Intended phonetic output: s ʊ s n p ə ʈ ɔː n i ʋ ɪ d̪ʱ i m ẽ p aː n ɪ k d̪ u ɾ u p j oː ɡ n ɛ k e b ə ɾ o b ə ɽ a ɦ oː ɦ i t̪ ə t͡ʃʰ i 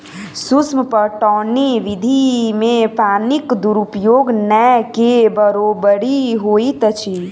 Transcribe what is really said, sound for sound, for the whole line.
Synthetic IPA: s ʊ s m p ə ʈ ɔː n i ʋ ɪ d̪ʱ i m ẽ p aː n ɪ k d̪ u ɾ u p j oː ɡ n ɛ k e b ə ɾ o b ə ɽ i ɦ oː i t̪ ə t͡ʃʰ i